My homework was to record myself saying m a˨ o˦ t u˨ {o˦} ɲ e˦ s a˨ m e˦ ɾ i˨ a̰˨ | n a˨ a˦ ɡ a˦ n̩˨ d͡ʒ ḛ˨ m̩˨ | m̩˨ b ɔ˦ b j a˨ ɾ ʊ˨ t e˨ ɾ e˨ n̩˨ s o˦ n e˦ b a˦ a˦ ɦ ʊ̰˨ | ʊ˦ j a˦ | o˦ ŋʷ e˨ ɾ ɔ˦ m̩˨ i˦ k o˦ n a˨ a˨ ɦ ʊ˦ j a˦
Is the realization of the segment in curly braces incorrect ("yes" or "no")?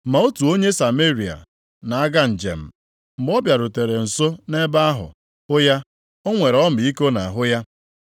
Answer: no